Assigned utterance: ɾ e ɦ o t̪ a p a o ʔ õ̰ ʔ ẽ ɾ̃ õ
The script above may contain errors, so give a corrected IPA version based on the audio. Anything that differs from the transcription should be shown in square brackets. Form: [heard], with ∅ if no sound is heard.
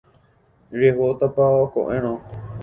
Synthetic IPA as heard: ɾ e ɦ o t̪ a p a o [k] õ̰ ʔ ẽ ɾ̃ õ